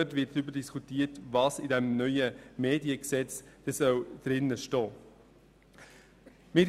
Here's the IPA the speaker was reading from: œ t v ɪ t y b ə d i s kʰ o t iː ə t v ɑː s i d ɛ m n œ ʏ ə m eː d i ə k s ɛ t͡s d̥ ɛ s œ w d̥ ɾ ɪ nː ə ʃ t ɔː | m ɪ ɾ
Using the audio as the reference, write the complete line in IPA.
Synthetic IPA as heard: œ t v ɪ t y b ə d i s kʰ u t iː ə t v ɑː s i d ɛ m n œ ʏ ə m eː d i ə k s ɛ t͡s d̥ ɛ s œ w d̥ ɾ ɪ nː ə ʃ t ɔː | m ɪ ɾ